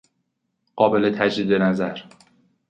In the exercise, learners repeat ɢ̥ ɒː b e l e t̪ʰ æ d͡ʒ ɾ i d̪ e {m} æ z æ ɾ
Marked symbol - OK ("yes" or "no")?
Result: no